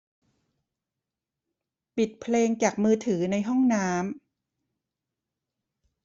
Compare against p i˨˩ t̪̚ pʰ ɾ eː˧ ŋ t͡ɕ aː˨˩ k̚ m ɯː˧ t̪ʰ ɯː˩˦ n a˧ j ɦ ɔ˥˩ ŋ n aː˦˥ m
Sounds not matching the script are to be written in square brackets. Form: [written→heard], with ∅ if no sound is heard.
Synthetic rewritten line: p i˨˩ t̪̚ pʰ [ɾ→l] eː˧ ŋ t͡ɕ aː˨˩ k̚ m ɯː˧ t̪ʰ ɯː˩˦ n a˧ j ɦ ɔ˥˩ ŋ n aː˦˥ m